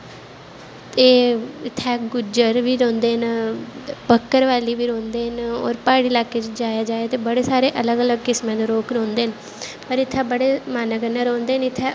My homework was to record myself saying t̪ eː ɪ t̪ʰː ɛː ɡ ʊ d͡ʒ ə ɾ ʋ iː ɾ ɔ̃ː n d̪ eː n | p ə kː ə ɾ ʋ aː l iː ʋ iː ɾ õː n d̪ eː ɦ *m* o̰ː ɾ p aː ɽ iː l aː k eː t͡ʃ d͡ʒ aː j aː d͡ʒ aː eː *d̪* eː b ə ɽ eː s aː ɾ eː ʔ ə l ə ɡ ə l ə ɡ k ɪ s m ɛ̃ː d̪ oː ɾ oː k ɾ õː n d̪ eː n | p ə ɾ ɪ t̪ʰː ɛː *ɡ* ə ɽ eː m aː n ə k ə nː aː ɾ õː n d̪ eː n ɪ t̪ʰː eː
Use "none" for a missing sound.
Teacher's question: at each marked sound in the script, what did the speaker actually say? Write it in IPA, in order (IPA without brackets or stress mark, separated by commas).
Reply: n, t̪, b